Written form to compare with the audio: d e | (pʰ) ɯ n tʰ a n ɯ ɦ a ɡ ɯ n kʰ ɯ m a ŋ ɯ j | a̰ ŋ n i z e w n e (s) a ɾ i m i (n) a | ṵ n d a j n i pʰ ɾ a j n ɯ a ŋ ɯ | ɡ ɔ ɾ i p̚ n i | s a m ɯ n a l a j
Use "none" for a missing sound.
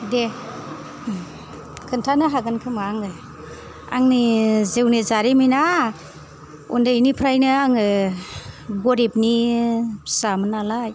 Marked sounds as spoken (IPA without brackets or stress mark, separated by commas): kʰ, z, n